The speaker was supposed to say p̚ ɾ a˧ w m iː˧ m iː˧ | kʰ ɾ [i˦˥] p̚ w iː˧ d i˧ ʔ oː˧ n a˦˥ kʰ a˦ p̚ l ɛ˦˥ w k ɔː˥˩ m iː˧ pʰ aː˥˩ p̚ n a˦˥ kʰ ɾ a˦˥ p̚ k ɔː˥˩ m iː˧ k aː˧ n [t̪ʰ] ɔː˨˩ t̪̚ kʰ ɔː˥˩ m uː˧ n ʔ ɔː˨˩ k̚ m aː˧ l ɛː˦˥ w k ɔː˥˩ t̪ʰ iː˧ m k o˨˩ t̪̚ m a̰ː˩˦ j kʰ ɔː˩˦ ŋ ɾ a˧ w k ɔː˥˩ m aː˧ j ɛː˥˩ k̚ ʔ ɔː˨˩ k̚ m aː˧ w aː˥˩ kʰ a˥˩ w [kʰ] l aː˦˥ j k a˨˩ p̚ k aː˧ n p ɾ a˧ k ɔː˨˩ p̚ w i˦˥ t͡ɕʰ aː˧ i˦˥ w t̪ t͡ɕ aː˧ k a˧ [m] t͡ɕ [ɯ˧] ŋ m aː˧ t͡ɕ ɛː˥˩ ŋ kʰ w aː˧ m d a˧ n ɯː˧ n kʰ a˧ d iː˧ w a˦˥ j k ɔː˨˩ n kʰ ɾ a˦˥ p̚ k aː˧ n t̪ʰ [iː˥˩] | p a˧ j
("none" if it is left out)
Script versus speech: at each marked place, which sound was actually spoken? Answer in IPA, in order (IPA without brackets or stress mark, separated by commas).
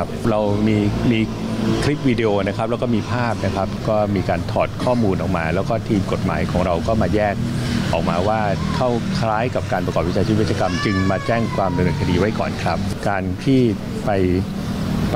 i˦˥, t̪ʰ, kʰ, m, ɯ˧, iː˥˩